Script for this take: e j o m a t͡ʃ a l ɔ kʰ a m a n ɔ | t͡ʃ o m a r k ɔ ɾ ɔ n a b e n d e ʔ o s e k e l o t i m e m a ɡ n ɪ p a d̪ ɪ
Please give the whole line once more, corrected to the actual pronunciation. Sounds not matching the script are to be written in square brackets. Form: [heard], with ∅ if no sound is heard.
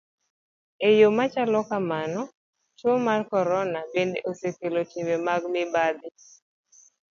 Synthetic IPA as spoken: e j o m a t͡ʃ a l ɔ [k] a m a n ɔ | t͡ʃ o m a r k ɔ ɾ ɔ n a b e n d e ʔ o s e k e l o t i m e m a ɡ [m] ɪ [b] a d̪ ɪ